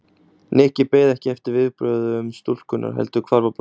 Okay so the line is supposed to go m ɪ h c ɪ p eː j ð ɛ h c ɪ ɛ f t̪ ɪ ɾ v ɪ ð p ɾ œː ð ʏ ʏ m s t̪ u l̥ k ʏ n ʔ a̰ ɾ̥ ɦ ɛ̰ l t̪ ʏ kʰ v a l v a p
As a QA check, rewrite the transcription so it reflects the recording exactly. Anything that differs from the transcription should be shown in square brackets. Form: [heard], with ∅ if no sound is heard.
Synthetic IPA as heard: [n] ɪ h c ɪ p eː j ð ɛ h c ɪ ɛ f t̪ ɪ ɾ v ɪ ð p ɾ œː ð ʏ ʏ m s t̪ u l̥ k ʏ n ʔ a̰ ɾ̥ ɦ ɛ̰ l t̪ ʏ kʰ v a [ɾ] v a p